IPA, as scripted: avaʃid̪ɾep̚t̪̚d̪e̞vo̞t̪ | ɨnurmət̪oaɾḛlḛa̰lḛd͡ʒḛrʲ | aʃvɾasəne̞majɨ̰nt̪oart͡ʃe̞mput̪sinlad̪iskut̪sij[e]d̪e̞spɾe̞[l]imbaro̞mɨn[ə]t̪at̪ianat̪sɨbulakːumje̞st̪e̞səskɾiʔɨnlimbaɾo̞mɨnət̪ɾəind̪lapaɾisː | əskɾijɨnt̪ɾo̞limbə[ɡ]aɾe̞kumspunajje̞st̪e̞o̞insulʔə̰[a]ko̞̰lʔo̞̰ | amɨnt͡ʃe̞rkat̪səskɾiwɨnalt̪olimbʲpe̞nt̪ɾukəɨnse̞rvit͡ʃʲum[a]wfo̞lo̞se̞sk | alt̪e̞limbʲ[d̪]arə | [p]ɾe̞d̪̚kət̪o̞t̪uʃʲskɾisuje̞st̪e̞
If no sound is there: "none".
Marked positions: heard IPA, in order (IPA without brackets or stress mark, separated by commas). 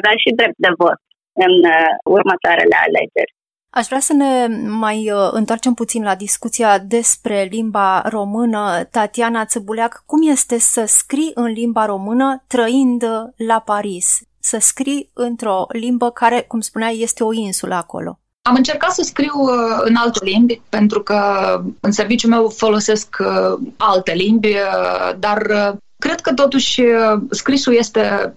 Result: a, l, ə, k, a, e, d̪, k